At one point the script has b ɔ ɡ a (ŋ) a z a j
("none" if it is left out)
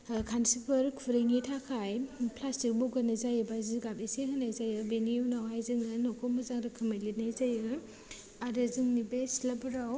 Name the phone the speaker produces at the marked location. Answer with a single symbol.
n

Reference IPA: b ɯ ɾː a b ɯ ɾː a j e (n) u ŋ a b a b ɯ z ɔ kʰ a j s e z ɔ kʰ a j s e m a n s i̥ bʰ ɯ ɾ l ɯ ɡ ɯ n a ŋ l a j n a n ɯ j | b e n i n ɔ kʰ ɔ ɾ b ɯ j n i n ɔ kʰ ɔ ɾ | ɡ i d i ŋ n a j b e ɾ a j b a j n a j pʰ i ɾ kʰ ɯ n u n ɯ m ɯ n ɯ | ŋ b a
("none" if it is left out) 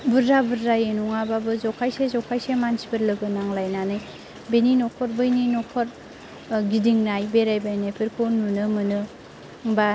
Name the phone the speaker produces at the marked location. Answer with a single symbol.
n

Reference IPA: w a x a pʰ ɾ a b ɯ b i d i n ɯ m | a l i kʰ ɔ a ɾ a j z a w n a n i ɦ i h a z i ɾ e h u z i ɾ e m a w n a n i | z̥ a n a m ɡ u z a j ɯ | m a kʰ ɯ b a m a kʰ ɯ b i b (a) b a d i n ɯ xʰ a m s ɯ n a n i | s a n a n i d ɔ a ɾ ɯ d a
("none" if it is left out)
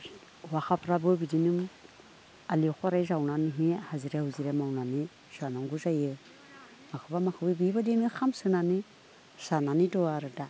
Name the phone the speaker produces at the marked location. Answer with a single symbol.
i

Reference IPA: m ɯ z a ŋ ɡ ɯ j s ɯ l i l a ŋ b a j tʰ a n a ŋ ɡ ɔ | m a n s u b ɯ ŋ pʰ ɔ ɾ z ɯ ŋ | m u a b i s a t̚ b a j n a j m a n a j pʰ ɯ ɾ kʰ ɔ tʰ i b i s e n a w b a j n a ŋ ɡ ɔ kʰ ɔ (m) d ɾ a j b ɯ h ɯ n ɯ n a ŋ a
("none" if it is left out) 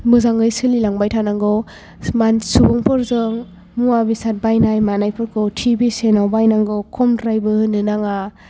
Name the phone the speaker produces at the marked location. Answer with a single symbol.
m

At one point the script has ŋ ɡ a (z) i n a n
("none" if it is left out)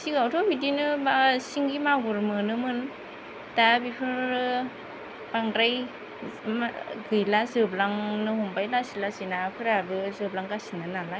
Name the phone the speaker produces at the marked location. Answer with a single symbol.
s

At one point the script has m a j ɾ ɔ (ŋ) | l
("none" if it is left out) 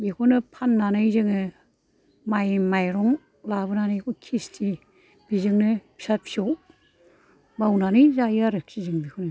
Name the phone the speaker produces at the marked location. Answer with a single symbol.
ŋ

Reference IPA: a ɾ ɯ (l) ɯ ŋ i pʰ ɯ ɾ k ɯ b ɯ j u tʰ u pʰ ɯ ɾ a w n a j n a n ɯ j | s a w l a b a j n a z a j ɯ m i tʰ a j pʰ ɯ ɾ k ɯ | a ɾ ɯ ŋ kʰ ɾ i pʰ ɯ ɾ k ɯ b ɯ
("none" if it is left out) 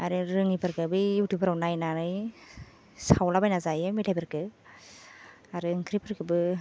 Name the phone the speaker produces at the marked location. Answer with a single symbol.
ɾ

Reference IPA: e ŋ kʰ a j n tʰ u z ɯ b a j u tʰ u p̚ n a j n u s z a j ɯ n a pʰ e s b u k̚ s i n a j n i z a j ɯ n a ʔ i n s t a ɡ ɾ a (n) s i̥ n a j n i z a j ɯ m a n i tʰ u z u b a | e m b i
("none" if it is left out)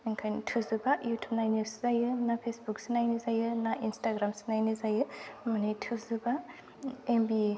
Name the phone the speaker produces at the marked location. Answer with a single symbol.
m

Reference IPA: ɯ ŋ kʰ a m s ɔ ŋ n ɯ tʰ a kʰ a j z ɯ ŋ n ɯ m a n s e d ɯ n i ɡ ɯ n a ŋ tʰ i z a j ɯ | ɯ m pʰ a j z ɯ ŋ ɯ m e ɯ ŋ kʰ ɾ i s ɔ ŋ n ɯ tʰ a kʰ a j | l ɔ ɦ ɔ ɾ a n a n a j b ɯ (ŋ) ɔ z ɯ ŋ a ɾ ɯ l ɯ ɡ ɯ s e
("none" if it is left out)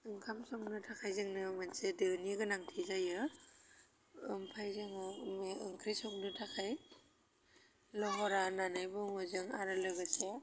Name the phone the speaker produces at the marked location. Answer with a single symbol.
ŋ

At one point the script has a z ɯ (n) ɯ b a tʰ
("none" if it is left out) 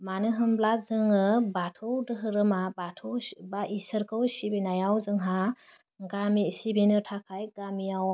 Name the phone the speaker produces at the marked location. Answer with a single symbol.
ŋ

